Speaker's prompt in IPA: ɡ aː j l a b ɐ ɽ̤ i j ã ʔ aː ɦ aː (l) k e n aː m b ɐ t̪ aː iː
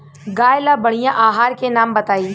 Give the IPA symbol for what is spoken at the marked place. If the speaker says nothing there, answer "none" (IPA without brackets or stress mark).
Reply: ɾ